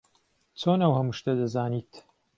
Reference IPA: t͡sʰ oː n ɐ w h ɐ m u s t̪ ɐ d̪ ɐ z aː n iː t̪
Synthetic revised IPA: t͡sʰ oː n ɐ w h ɐ m u ʃ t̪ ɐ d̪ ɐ z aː n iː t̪